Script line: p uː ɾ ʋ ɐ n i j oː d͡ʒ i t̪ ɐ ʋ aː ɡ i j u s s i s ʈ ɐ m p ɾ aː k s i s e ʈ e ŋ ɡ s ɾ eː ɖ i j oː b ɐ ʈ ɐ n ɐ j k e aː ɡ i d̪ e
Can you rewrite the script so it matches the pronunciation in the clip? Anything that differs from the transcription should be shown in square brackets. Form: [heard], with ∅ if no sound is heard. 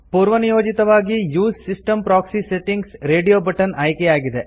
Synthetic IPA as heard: p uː ɾ ʋ ɐ n i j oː d͡ʒ i t̪ ɐ ʋ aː ɡ i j [uː] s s i s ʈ ɐ m p ɾ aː k s i s e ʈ [i] ŋ ɡ s ɾ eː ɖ i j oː b ɐ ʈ ɐ n ɐ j k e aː ɡ i d̪ e